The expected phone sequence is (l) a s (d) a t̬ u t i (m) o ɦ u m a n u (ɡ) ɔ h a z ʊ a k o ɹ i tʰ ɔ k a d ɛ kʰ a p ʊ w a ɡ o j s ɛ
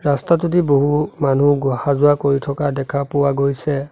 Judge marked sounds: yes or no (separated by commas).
no, no, no, yes